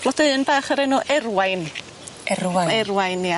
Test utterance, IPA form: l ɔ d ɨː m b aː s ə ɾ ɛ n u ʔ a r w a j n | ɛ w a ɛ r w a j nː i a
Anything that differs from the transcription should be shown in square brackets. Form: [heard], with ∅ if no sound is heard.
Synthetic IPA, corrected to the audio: l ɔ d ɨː [n] b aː [χ] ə ɾ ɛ n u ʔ [ɛ] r w a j n | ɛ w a ɛ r w a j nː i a